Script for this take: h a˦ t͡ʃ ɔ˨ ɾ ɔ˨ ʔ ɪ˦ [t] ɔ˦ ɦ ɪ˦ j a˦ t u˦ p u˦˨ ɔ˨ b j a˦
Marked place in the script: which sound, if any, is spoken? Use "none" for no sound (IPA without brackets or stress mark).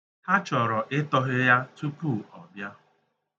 t